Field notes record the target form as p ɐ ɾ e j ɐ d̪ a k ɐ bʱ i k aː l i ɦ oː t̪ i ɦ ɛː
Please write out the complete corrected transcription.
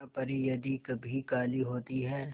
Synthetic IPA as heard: p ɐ ɾ i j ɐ d̪ i k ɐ bʱ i k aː l i ɦ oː t̪ i ɦ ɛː